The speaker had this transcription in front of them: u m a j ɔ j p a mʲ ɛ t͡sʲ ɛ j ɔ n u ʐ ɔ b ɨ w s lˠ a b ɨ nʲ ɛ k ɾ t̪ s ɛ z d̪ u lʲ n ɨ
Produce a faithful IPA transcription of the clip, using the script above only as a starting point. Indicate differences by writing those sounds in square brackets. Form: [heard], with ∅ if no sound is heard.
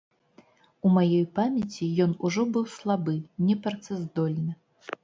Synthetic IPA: u m a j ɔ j p a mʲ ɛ t͡sʲ [i] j ɔ n u ʐ ɔ b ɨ w s lˠ a b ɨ nʲ ɛ [p] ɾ t̪ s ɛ z d̪ [ɔ] lʲ n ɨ